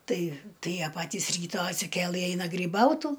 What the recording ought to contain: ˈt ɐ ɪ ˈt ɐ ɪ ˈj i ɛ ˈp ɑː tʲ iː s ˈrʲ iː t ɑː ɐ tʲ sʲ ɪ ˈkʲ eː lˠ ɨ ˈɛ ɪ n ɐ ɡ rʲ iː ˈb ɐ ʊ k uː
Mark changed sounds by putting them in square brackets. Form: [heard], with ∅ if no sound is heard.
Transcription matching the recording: ˈt ɐ ɪ ˈt ɐ ɪ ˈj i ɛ ˈp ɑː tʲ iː s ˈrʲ iː t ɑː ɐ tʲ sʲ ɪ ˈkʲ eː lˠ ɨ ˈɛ ɪ n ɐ ɡ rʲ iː ˈb ɐ ʊ [t] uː